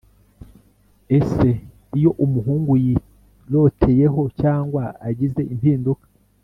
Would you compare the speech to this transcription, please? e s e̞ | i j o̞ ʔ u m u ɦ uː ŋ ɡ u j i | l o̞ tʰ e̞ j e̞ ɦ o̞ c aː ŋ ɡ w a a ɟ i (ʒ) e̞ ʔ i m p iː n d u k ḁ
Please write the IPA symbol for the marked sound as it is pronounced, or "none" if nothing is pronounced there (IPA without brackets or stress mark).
z